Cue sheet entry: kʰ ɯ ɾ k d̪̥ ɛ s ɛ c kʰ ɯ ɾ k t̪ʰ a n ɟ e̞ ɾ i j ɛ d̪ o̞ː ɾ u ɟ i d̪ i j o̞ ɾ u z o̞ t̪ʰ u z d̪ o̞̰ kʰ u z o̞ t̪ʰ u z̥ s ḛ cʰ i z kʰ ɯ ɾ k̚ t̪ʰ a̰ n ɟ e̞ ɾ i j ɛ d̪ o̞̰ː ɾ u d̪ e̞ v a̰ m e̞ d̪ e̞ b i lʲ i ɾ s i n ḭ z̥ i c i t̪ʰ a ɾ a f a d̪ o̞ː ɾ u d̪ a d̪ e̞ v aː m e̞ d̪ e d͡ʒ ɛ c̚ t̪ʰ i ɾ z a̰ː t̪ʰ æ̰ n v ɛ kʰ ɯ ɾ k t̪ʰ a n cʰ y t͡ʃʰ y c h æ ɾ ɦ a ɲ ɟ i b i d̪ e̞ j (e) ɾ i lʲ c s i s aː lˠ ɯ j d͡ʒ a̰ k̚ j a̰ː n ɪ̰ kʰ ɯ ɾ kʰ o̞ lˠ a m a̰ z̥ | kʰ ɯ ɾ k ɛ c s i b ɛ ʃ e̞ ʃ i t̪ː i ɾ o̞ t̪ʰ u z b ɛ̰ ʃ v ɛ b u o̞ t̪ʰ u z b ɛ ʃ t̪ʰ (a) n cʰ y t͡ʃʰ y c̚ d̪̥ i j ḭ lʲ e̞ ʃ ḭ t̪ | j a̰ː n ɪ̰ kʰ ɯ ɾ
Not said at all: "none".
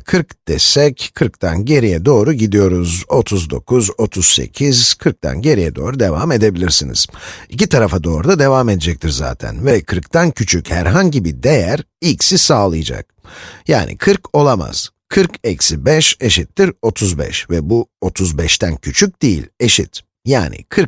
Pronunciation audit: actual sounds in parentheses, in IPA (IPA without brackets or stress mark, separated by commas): æ, æ